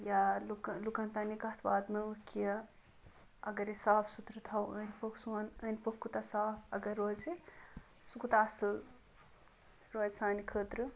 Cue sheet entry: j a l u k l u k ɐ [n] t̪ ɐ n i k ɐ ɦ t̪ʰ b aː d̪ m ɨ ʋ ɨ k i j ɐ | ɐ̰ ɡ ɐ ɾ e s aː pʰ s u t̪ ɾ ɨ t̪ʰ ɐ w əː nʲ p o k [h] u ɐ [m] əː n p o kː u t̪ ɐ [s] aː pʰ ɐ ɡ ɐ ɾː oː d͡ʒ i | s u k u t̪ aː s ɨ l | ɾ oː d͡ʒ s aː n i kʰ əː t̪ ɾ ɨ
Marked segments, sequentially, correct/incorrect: correct, incorrect: s, incorrect: n, correct

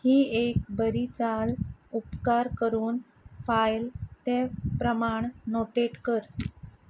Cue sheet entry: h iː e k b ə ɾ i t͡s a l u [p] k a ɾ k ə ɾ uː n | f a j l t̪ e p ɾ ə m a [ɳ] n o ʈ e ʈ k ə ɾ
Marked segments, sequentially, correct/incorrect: correct, correct

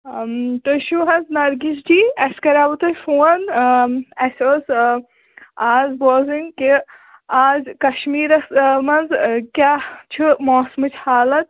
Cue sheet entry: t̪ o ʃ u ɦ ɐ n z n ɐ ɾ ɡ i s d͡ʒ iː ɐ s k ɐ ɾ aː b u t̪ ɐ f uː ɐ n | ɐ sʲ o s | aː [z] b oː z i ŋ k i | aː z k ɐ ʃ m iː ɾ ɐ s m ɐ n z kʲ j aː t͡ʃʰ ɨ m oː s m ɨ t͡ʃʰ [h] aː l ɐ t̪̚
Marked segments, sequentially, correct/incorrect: correct, correct

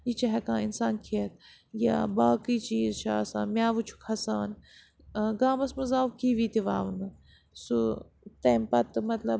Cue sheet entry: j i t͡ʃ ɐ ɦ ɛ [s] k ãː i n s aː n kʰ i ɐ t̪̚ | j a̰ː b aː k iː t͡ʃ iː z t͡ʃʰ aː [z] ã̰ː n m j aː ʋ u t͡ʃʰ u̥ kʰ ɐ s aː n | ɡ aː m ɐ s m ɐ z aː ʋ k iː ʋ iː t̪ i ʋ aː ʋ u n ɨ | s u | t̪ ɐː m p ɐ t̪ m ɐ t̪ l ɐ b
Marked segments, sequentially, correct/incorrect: incorrect: none, incorrect: s

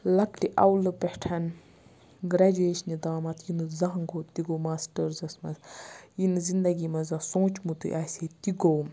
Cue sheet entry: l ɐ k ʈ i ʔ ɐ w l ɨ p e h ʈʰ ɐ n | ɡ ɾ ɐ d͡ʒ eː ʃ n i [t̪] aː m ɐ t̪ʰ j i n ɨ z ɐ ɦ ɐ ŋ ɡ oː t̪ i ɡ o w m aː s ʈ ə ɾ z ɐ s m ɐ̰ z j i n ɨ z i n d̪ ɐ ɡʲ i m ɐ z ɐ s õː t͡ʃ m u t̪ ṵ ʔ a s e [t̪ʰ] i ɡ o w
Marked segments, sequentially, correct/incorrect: incorrect: d̪, incorrect: t̪

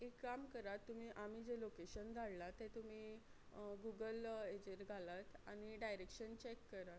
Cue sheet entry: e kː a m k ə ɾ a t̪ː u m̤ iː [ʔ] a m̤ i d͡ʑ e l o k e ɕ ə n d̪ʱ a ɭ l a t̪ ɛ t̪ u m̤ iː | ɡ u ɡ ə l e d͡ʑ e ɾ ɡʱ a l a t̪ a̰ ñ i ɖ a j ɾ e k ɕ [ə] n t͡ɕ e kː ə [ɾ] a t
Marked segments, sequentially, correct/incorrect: correct, correct, correct

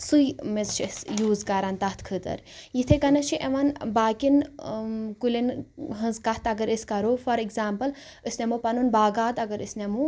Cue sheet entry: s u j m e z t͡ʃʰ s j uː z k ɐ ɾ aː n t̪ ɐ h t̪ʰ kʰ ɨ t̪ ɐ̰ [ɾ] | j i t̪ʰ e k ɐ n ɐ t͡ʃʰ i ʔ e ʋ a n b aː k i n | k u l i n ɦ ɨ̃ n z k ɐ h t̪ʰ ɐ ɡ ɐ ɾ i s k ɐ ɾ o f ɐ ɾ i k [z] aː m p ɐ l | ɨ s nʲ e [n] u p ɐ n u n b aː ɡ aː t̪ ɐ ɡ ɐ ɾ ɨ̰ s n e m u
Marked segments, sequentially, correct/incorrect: correct, correct, incorrect: m

